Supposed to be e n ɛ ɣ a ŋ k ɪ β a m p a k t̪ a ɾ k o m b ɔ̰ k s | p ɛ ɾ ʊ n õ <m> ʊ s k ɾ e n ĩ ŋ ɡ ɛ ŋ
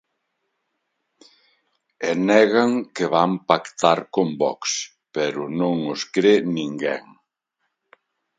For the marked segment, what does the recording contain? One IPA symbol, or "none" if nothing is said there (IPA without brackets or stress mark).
ŋ